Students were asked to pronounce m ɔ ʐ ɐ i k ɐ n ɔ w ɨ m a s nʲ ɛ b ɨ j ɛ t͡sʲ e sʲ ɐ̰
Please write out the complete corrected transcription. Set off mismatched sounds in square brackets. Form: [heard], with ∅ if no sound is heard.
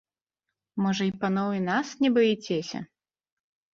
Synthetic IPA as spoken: m ɔ ʐ ɐ i [p] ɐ n ɔ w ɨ [n] a s nʲ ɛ b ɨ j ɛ t͡sʲ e sʲ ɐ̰